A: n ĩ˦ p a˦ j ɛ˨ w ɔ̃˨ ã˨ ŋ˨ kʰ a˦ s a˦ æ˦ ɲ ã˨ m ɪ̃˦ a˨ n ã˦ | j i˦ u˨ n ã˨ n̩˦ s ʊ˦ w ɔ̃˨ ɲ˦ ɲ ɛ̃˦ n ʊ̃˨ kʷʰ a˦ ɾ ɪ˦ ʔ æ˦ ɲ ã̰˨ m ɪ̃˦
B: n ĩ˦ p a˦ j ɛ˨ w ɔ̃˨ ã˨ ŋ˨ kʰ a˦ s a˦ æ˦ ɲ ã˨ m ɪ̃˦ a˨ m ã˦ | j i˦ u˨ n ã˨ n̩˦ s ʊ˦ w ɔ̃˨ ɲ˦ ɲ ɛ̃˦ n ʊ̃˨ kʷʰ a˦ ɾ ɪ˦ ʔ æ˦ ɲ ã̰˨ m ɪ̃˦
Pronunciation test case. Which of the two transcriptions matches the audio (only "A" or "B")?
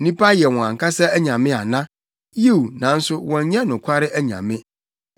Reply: A